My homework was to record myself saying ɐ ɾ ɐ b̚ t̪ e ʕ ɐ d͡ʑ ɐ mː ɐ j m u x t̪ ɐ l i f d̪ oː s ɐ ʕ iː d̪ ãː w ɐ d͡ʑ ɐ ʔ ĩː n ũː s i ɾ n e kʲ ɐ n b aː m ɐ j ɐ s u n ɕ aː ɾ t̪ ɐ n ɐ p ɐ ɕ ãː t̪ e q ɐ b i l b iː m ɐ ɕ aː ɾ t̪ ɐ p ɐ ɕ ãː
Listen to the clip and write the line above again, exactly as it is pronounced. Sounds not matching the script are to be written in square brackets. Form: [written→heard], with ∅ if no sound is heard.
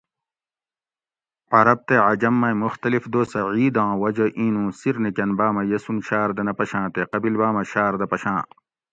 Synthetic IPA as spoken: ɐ ɾ ɐ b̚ t̪ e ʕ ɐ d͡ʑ ɐ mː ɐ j m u x t̪ ɐ l i f d̪ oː s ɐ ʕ iː d̪ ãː w ɐ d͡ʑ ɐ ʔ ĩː n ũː s i ɾ n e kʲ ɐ n b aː m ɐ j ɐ s u n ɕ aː ɾ [t̪→d̪] ɐ n ɐ p ɐ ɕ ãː t̪ e q ɐ b i l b [iː→aː] m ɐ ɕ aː ɾ [t̪→d̪] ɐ p ɐ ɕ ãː